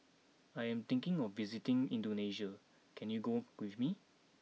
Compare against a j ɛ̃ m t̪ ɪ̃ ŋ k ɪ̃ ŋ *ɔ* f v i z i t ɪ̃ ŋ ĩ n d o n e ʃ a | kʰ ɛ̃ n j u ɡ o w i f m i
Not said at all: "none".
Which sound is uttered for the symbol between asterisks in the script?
ɔ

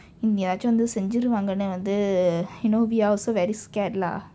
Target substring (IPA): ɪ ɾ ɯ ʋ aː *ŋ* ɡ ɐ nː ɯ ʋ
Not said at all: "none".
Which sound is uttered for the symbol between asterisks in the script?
ŋ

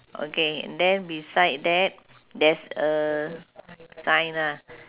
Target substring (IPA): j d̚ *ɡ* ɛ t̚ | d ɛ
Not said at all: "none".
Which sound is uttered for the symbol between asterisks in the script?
d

